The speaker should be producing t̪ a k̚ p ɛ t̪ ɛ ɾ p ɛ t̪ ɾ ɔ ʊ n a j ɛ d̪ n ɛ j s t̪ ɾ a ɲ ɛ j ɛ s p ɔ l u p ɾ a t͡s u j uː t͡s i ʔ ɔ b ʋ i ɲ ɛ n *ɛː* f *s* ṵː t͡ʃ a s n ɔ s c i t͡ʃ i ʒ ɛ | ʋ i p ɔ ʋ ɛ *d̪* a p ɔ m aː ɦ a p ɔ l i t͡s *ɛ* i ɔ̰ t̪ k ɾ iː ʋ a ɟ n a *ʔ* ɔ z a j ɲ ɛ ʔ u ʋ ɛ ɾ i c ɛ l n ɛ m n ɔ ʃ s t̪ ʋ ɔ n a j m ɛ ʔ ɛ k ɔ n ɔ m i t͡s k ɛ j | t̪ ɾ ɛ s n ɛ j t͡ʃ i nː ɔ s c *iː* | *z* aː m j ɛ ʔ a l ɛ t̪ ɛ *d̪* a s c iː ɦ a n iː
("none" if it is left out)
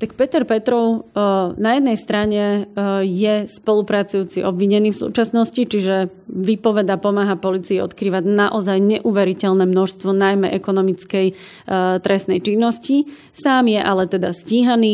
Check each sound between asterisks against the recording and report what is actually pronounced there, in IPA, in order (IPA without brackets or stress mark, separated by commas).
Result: iː, s, d̪, i, ʔ, i, s, d̪